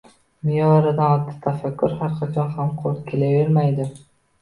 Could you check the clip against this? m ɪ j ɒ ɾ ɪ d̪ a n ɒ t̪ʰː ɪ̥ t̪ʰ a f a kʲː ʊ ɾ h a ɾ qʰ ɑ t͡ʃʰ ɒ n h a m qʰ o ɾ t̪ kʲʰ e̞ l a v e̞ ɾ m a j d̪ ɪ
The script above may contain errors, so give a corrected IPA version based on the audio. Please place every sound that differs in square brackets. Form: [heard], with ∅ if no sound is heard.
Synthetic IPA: m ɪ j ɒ ɾ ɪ d̪ a n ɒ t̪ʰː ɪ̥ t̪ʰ a f a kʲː ʊ ɾ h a ɾ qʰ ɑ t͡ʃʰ ɒ n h a m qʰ o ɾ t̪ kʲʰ e̞ l a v e̞ ɾ m a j d̪ ɪ